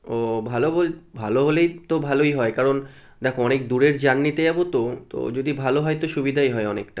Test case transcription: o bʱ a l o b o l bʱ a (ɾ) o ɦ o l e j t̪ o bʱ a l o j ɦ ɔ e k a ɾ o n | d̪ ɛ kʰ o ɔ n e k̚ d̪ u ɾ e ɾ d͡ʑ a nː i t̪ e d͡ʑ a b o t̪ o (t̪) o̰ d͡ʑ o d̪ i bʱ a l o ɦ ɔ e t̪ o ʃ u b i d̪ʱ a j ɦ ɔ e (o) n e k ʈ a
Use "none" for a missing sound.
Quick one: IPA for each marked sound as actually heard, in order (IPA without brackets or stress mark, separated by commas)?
l, t̪, ɔ